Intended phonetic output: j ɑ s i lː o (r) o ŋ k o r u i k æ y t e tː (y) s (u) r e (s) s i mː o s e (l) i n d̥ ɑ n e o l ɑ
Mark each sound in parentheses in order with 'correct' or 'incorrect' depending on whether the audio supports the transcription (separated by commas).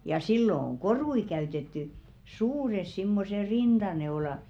incorrect, correct, incorrect, correct, incorrect